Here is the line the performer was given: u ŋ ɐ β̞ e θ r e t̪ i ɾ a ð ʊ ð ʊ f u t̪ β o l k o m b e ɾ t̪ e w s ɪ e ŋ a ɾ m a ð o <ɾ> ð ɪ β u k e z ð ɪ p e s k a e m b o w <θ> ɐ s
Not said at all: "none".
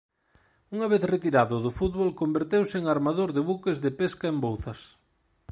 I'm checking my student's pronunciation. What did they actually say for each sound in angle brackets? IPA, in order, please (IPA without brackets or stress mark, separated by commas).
ɾ, θ